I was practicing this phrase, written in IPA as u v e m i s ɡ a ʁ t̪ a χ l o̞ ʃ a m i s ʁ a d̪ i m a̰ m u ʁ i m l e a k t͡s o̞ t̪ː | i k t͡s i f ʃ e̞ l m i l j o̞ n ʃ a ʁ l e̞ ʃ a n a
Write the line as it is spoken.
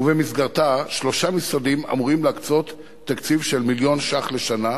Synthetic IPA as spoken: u v e m i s ɡ a ʁ t̪ a ʃ l o̞ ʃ a m i s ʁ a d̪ i m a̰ m u ʁ i m l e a k t͡s o̞ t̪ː | a k t͡s i v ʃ e̞ l m i l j o̞ n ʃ a χ l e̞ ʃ a n a